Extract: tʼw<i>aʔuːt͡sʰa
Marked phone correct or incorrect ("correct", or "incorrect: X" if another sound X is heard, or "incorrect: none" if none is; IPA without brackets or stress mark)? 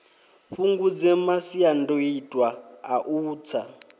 incorrect: a